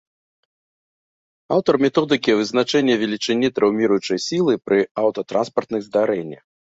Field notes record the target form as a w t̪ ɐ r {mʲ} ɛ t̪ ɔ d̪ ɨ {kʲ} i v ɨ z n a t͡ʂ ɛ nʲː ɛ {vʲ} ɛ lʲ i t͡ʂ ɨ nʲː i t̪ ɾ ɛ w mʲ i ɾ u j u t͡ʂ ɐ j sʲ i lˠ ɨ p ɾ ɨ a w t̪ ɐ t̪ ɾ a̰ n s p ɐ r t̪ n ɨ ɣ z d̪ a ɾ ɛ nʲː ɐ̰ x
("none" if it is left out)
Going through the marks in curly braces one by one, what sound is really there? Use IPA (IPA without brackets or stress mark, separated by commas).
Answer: mʲ, kʲ, vʲ